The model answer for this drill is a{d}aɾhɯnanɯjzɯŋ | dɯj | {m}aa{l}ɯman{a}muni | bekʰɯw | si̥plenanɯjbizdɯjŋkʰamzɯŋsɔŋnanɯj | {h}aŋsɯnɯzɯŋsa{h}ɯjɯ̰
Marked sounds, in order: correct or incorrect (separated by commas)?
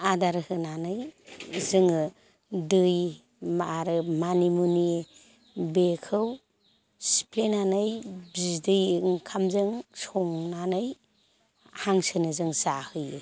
correct, correct, incorrect, incorrect, correct, correct